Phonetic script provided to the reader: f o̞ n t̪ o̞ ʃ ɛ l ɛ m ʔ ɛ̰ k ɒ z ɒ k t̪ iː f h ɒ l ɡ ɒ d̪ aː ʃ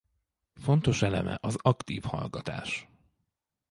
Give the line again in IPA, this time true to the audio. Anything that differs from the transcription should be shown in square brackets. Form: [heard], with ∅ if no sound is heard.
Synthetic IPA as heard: f o̞ n t̪ o̞ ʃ ɛ l ɛ m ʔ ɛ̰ [ʔ] ɒ z ɒ k t̪ iː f h ɒ l ɡ ɒ [t̪] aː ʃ